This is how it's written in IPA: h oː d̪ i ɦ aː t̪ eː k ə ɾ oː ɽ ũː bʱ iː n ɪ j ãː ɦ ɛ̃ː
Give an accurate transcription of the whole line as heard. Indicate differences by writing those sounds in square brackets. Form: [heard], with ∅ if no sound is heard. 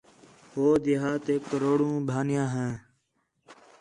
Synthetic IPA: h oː d̪ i ɦ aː t̪ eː k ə ɾ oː ɽ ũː bʱ [aː] n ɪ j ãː ɦ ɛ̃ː